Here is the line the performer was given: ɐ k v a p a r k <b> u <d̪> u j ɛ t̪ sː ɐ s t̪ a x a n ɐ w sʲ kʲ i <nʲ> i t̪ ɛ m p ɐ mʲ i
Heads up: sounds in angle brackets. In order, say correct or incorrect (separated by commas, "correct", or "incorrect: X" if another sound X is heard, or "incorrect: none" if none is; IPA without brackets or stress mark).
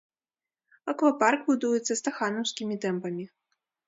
correct, correct, incorrect: mʲ